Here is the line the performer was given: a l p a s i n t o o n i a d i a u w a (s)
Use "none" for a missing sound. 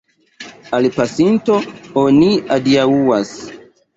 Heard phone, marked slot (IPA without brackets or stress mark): s